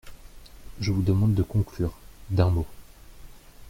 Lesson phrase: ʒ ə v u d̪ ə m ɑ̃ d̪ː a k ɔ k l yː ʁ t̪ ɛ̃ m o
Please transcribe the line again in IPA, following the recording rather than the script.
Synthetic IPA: ʒ ə v u d̪ ə m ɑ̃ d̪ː ə k ɔ̃ k l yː ʁ d̪ ɛ̃ m o